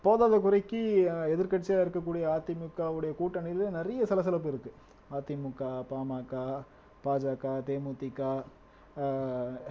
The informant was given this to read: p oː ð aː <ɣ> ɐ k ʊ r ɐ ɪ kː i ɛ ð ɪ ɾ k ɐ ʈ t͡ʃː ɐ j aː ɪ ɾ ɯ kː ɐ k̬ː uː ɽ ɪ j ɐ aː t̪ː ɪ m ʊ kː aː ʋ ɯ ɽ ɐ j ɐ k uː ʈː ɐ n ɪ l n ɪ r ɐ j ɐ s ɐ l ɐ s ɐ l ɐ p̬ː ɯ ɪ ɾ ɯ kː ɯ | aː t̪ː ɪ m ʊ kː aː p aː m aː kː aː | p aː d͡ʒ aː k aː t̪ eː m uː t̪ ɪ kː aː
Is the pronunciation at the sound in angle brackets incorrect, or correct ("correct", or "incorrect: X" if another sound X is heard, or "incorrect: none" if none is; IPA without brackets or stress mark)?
incorrect: ð